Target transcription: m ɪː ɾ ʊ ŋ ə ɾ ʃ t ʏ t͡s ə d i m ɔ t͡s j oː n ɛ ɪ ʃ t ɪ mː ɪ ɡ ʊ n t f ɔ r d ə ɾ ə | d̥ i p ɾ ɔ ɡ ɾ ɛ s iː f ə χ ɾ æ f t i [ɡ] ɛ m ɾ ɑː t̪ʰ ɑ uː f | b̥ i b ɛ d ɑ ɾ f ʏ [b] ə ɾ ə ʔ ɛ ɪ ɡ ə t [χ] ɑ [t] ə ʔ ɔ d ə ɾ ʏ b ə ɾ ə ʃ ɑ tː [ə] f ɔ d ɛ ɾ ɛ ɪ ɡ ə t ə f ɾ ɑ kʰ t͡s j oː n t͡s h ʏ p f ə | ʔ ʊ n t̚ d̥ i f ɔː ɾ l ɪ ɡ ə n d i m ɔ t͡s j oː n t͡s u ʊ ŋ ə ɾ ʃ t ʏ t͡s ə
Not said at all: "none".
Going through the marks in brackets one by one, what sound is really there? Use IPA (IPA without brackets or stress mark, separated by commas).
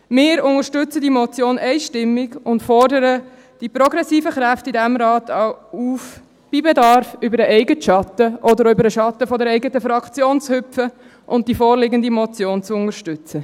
d, b, ʃ, t, ə